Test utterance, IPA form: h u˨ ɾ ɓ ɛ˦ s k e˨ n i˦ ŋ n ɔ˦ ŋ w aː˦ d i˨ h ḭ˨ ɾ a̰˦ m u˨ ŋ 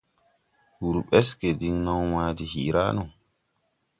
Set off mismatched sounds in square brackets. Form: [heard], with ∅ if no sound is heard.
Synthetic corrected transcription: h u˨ ɾ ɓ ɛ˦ s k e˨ [d] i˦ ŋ n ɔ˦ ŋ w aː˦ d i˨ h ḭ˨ ɾ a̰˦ [n] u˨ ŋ